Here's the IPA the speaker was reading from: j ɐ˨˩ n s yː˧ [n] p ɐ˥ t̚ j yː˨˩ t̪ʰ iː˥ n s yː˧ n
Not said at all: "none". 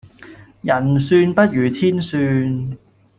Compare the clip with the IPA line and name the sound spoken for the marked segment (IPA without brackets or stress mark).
n